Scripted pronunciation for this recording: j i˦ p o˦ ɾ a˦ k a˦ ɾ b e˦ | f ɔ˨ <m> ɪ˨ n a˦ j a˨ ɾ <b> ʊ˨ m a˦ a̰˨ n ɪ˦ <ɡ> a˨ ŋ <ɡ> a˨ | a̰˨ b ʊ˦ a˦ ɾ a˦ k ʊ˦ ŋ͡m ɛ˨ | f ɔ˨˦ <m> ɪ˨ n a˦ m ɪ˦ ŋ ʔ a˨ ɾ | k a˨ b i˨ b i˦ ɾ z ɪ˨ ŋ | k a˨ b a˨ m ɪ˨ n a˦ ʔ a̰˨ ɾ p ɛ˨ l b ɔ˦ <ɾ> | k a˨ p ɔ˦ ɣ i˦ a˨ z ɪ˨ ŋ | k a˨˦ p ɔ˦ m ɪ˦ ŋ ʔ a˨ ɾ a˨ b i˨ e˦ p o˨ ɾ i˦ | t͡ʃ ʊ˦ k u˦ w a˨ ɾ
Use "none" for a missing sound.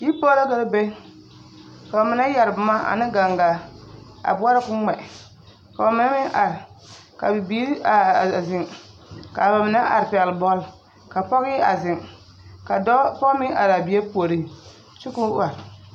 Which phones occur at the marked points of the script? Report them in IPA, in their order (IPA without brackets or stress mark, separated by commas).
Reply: m, b, ɡ, ɡ, m, l